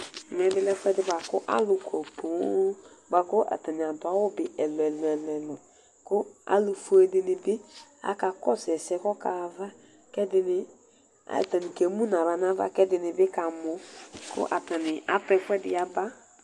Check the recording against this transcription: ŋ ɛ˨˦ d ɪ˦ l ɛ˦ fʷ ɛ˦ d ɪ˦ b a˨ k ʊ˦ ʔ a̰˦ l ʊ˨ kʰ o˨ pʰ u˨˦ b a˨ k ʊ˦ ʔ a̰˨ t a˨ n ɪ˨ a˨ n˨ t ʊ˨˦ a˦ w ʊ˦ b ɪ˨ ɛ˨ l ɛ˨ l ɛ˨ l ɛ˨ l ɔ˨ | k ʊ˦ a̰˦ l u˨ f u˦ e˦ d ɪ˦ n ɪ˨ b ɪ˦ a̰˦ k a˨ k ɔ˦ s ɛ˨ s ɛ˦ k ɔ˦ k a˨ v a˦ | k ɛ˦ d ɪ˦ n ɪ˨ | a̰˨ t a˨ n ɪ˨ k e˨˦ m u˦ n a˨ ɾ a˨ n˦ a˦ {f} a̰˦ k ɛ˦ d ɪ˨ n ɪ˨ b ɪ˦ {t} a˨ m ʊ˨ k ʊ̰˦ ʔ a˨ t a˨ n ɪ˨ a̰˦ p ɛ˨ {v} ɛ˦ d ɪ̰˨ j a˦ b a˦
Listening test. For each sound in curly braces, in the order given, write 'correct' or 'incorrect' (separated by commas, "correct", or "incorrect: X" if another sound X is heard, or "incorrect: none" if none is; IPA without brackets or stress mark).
incorrect: v, incorrect: k, incorrect: f